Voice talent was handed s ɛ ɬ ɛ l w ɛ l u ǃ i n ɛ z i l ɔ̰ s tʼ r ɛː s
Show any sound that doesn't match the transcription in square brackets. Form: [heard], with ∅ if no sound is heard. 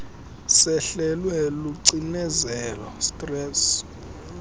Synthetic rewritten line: s ɛ ɬ ɛ l w ɛ l u [ǀ] i n ɛ z [ɛ] l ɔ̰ s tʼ r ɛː s